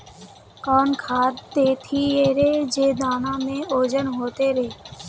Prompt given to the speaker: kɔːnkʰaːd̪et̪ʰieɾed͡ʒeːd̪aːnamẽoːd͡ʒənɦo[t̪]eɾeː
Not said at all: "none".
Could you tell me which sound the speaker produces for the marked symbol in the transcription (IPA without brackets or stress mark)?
t̪